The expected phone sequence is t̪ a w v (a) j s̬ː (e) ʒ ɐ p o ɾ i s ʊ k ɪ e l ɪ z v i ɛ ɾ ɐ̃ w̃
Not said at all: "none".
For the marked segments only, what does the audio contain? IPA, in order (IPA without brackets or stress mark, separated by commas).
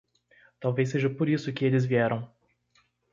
e, e